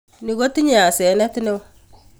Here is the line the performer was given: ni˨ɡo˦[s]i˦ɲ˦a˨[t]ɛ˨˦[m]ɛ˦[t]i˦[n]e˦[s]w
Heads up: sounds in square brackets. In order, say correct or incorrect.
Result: incorrect: t, incorrect: s, incorrect: n, correct, correct, incorrect: none

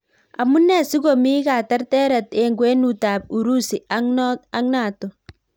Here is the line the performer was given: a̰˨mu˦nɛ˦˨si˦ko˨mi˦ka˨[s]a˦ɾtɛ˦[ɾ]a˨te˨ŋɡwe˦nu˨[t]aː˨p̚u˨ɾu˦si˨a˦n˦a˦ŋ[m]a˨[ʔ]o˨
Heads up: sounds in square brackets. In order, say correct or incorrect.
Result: incorrect: t, correct, correct, incorrect: n, incorrect: t

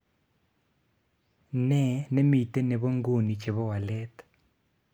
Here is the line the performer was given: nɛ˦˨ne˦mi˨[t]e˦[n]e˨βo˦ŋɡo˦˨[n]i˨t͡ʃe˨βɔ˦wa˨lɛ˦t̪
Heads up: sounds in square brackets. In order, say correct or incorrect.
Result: correct, correct, correct

